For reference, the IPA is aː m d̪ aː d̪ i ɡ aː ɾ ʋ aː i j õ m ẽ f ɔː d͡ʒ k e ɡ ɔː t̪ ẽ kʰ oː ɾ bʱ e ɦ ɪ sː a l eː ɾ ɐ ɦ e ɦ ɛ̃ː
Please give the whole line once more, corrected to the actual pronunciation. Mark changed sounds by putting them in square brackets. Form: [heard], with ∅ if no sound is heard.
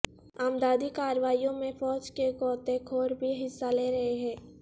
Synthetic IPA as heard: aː m d̪ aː d̪ i [k] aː ɾ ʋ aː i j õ m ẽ f ɔː d͡ʒ k e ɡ ɔː t̪ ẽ kʰ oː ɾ bʱ [i] ɦ ɪ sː a l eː ɾ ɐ ɦ e ɦ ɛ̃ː